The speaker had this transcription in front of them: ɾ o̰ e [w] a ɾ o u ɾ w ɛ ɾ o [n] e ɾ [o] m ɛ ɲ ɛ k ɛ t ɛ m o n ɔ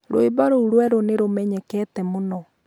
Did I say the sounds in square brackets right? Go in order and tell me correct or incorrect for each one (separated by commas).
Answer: incorrect, correct, correct